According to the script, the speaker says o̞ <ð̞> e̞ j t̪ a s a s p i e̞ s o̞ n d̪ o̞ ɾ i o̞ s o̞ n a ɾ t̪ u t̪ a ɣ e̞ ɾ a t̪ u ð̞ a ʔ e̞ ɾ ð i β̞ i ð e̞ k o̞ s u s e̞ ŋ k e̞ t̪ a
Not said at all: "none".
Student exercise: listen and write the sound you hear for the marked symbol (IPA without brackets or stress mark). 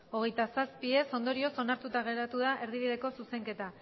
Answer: ɣ̞